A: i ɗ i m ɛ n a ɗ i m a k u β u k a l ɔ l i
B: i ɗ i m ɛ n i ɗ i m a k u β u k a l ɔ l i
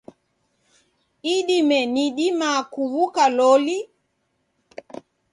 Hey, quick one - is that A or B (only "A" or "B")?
B